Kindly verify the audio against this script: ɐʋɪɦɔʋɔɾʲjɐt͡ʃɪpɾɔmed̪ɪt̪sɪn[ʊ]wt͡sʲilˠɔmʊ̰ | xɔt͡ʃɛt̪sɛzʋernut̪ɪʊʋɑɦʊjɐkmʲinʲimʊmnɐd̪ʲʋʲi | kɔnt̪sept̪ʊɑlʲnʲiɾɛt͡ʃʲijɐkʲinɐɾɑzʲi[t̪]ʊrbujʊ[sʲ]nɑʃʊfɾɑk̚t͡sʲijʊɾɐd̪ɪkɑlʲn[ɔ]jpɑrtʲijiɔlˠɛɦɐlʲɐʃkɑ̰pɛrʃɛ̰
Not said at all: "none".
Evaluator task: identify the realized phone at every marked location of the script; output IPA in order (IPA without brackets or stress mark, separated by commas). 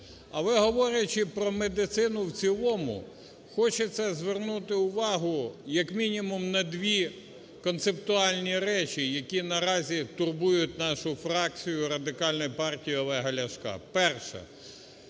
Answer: ʊ, t̪, tʲ, ɔ